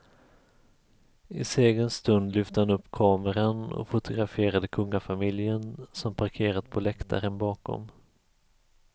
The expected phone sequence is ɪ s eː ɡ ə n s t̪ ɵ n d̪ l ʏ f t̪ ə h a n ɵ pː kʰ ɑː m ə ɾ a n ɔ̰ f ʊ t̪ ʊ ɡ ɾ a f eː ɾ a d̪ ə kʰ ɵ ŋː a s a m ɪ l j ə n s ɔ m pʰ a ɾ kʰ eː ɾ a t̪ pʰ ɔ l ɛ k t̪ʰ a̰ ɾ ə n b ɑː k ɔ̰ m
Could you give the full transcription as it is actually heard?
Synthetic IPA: ɪ s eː ɡ ə n s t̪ ɵ n d̪ l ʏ f t̪ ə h a n ɵ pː kʰ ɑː m ə ɾ a n ɔ̰ f ʊ t̪ ʊ ɡ ɾ a f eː ɾ a d̪ ə kʰ ɵ ŋː a f a m ɪ l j ə n s ɔ m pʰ a ɾ kʰ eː ɾ a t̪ pʰ ɔ l ɛ k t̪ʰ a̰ ɾ ə n b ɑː k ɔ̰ m